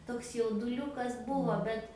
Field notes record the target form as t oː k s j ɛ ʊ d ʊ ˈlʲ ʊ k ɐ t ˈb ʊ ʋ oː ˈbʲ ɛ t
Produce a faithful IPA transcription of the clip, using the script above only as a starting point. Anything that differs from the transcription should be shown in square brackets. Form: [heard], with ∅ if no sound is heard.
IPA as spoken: t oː k s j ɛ ʊ d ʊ ˈlʲ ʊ k ɐ [s] ˈb ʊ ʋ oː ˈbʲ ɛ t